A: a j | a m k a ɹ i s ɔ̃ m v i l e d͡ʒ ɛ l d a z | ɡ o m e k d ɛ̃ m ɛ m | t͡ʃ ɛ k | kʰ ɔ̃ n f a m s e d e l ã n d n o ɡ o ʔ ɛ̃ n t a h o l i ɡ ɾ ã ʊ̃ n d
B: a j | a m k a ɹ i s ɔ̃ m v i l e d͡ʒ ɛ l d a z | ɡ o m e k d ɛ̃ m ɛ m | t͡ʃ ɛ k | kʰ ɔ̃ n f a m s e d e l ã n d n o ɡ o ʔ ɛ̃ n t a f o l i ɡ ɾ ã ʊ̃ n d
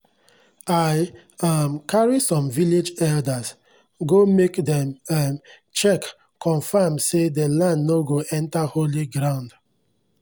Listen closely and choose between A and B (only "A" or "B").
A